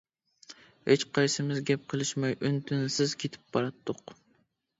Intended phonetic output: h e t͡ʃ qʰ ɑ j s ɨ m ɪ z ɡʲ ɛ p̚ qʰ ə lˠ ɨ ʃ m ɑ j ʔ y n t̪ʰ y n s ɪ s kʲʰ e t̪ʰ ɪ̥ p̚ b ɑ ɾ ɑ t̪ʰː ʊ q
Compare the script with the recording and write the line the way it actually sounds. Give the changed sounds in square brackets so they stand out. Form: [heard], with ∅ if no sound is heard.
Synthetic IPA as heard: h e t͡ʃ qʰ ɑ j s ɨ m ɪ z ɡʲ ɛ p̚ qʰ ə lˠ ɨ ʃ m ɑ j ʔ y n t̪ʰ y n s ɪ [z] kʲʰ e t̪ʰ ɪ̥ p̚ b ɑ ɾ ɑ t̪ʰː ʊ q